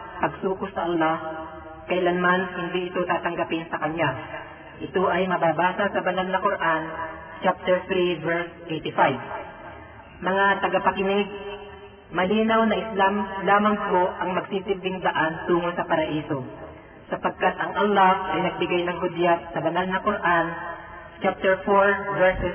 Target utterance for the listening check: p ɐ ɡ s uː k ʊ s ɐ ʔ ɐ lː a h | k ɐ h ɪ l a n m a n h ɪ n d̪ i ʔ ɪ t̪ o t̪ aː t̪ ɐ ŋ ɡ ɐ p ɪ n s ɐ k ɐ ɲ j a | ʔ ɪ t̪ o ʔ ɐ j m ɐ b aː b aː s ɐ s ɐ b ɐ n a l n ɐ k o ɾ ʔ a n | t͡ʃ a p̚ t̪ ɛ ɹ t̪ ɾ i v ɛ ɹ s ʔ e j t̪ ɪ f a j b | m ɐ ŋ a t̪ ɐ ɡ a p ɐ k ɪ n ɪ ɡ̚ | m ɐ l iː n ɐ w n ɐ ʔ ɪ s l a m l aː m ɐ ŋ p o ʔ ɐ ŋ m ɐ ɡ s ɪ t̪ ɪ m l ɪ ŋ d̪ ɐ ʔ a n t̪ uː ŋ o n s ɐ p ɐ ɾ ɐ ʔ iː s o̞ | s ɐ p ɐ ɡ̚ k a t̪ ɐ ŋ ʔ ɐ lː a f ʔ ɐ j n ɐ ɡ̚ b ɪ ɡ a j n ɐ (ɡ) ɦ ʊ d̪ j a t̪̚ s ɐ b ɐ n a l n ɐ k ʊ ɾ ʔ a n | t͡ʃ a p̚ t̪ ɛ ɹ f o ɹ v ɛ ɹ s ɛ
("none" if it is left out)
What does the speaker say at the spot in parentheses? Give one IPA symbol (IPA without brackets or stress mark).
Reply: ŋ